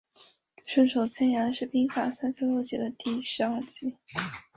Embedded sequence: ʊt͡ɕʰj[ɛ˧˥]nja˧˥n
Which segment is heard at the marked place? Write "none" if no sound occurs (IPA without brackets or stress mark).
ɛ˥˩